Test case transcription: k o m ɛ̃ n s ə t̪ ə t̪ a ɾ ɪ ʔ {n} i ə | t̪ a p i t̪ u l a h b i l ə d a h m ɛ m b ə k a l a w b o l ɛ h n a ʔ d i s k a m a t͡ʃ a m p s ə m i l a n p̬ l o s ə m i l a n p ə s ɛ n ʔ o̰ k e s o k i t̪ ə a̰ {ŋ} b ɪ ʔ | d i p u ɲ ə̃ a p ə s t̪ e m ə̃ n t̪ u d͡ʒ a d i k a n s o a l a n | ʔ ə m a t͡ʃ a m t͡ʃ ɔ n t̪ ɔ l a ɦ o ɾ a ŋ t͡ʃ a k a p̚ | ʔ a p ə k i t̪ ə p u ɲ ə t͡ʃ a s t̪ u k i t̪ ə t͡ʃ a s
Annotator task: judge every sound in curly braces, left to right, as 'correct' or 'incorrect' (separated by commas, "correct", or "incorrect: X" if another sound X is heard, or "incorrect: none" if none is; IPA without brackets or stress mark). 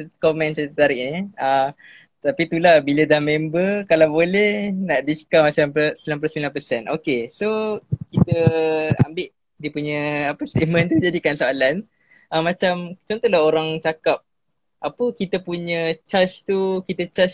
correct, incorrect: m